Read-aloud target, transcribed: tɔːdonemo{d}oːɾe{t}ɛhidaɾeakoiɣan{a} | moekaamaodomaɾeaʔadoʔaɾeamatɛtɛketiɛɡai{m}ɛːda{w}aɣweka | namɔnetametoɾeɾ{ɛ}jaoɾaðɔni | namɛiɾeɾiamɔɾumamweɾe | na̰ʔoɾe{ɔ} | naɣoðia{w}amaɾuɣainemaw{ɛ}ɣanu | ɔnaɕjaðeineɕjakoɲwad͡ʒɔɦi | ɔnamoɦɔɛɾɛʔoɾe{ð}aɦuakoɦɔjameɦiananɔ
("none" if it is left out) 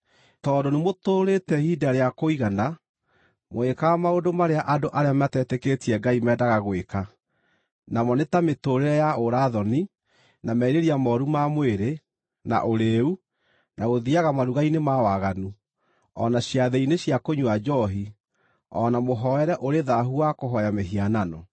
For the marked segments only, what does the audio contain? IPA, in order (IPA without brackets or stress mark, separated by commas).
t, t, a, m, ɣ, ɛ, u, ɣ, a, ð